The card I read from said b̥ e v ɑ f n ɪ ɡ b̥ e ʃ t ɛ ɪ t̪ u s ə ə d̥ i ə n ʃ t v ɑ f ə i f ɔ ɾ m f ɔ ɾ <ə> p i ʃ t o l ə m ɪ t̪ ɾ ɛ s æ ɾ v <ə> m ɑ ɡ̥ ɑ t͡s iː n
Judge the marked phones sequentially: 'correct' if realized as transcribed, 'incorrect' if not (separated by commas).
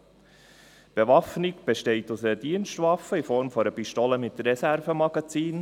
correct, correct